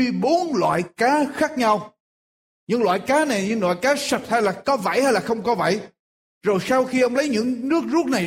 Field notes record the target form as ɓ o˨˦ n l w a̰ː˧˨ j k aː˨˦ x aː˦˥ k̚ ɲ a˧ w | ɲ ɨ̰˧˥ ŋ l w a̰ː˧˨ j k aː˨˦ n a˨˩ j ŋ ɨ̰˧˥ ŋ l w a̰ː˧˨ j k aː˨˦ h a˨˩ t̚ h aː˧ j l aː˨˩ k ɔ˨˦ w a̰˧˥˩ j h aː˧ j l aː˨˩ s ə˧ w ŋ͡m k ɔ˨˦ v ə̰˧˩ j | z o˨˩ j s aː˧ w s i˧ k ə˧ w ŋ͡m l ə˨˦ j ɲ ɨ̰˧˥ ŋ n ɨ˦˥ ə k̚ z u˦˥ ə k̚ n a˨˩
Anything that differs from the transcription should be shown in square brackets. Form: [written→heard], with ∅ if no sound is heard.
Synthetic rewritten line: ɓ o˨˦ n l w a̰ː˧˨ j k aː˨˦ x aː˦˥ k̚ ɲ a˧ w | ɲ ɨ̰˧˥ ŋ l w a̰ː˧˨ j k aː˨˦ n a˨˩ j [ŋ→ɲ] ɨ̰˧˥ ŋ l w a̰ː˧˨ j k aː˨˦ [h→s] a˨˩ t̚ h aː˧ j l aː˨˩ k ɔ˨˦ [w→v] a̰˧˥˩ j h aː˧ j l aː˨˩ [s→x] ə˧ w ŋ͡m k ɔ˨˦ v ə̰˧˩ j | z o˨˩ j s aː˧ w [s→x] i˧ [k→ʔ] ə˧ w ŋ͡m l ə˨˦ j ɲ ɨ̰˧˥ ŋ n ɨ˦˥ ə k̚ z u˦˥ ə k̚ n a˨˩